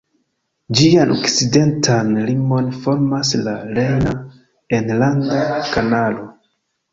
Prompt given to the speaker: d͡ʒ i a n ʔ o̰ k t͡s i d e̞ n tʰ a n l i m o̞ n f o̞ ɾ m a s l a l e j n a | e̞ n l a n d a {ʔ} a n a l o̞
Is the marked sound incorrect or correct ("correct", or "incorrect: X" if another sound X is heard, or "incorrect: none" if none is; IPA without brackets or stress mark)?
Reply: incorrect: k